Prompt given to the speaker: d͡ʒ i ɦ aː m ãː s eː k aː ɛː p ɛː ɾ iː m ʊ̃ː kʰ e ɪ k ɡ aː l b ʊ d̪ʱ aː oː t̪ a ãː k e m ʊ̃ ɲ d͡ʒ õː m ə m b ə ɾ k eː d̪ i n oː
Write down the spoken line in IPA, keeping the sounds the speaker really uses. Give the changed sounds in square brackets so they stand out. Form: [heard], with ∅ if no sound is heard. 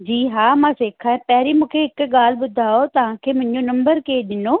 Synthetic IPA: d͡ʒ [iː] ɦ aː m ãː s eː [kʰ] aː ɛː p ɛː ɾ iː m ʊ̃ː kʰ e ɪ k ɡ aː l b ʊ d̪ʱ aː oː t̪ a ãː k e m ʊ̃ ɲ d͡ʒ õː [n] ə m b ə ɾ k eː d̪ [ɪ] n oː